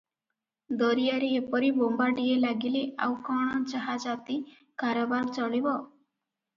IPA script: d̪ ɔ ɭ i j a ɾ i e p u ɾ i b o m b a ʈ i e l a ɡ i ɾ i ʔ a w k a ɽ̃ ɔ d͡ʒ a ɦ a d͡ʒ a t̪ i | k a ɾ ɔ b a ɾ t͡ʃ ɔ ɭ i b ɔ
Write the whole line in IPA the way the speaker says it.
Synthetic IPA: d̪ ɔ ɾ i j a ɾ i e p ɔ ɾ i b o m b a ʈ i e l a ɡ i l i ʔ a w k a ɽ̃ ɔ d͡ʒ a ɦ a d͡ʒ a t̪ i | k a ɾ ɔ b a ɾ t͡ʃ ɔ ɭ i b ɔ